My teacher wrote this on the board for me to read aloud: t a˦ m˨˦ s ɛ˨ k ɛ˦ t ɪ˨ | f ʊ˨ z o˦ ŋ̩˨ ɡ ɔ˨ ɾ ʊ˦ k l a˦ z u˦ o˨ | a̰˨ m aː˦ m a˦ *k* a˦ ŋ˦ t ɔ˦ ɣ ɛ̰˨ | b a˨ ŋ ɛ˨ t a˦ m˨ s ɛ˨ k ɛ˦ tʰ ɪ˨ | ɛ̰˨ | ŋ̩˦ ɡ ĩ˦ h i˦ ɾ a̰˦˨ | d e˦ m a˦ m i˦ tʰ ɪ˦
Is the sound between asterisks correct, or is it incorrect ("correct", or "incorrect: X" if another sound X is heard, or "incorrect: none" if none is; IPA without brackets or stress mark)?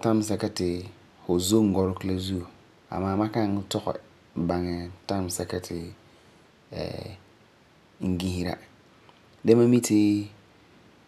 correct